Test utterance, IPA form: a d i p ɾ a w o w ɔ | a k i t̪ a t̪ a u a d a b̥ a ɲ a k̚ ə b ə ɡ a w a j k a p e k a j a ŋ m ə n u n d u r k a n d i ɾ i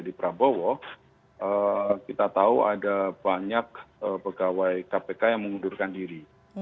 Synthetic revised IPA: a d i p ɾ a b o w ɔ | ə k i t̪ a t̪ a u a d a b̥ a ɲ a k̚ ə p ə ɡ a w a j k a p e k a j a ŋ m ə ŋ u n d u r k a n d i ɾ i